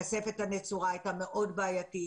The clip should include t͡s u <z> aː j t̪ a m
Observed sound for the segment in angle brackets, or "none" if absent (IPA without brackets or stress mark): ʁ